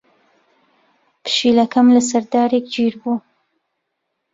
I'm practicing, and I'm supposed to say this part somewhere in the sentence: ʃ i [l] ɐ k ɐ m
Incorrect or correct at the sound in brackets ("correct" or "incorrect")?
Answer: correct